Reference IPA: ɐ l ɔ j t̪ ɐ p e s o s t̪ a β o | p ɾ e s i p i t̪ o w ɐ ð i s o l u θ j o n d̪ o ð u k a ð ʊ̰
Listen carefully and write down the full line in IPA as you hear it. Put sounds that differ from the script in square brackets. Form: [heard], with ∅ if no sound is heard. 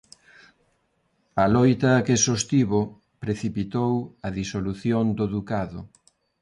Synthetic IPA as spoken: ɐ l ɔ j t̪ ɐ [k] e s o s t̪ [i] β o | p ɾ e [θ] i p i t̪ o w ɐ ð i s o l u θ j o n d̪ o ð u k a ð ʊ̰